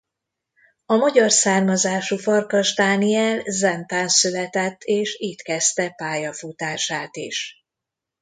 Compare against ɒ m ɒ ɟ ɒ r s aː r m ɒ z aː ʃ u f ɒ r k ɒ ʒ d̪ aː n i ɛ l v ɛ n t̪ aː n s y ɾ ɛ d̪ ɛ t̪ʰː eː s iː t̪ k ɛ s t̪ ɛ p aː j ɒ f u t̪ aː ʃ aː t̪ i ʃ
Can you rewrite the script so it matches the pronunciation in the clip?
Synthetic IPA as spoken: ɒ m ɒ ɟ ɒ r s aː r m ɒ z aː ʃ u f ɒ r k ɒ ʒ d̪ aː n i ɛ l z ɛ n t̪ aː n s y l ɛ t̪ ɛ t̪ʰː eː ʃ iː t̪ k ɛ s t̪ ɛ p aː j ɒ f u t̪ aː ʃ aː t̪ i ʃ